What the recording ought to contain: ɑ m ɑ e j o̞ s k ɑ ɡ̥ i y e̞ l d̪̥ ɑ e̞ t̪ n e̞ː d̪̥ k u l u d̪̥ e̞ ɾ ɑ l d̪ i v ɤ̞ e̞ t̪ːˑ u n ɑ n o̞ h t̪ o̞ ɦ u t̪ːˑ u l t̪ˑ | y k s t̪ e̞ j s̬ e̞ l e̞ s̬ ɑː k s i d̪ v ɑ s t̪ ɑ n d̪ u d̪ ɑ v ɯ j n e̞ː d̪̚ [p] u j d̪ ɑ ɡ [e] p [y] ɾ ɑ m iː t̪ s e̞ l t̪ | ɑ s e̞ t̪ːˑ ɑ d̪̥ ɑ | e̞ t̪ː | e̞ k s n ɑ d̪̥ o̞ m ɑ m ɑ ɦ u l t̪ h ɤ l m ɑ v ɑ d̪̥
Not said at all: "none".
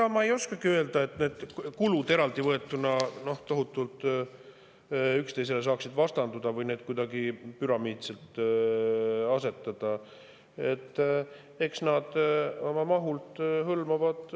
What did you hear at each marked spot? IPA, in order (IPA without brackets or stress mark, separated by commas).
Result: k, i, y